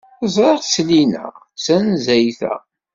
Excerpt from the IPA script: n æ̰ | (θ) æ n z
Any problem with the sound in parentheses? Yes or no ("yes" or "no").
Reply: yes